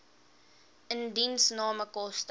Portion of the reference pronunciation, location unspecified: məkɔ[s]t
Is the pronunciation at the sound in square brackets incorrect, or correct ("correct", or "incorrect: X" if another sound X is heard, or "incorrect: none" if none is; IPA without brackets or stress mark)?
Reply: correct